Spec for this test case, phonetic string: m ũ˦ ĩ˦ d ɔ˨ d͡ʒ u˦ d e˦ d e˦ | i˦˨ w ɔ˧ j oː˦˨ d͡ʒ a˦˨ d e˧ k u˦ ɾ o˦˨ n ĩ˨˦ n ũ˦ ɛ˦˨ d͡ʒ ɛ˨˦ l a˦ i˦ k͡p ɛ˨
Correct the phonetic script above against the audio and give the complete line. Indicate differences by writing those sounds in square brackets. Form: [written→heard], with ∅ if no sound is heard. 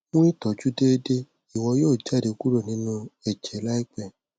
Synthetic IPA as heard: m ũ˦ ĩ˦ [d→t] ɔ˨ d͡ʒ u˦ d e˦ d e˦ | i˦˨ w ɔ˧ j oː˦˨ d͡ʒ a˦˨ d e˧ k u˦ ɾ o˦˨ n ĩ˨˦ n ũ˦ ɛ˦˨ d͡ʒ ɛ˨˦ l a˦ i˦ k͡p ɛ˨